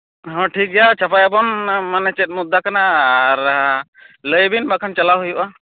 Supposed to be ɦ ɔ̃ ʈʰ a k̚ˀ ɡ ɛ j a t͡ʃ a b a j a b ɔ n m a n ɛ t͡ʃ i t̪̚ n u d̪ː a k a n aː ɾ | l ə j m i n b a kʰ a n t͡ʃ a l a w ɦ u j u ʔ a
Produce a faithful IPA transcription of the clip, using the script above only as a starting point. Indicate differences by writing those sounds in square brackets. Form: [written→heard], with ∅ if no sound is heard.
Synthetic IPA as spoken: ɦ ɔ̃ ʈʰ [a→i] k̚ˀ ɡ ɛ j a t͡ʃ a [b→p] a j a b ɔ n m a n ɛ t͡ʃ [i→ɛ] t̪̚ [n→m] u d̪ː a k a n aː ɾ | l ə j [m→b] i n b a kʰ a n t͡ʃ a l a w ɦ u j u ʔ a